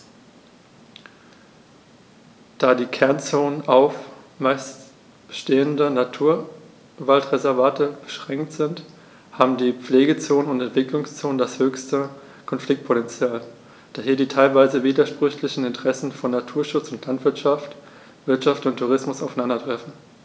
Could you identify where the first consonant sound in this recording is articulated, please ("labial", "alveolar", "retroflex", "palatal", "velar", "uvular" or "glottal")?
alveolar